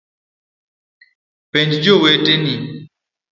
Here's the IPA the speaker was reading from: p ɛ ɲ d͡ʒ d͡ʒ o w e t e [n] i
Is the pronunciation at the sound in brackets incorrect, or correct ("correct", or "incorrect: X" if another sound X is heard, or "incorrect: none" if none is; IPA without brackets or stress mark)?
correct